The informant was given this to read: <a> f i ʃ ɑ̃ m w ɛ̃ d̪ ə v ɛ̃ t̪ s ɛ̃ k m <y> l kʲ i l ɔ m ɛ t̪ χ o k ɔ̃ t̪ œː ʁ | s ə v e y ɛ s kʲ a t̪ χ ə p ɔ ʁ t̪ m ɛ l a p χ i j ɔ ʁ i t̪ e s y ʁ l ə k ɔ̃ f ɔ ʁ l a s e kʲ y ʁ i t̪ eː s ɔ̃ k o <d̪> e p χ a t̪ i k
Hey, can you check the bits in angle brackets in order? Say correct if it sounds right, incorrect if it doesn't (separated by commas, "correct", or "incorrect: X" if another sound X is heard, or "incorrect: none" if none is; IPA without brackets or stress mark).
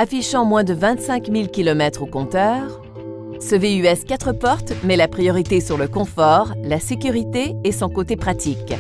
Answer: correct, incorrect: i, incorrect: t̪